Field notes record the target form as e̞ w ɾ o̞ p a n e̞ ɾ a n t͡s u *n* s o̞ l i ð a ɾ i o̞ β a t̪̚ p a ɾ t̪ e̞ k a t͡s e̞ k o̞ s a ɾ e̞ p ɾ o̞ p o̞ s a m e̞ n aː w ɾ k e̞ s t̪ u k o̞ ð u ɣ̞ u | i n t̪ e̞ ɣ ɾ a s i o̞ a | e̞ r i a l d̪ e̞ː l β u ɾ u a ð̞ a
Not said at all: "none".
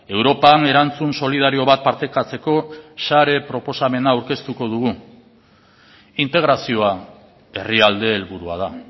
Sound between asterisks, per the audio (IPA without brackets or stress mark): n